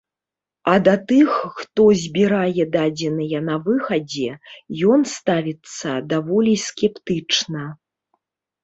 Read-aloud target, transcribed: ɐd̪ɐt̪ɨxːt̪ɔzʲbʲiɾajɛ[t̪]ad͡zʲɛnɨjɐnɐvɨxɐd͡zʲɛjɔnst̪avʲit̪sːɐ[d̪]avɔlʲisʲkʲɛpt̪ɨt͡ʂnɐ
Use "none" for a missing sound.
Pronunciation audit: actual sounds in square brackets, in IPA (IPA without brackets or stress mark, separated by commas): d̪, d̪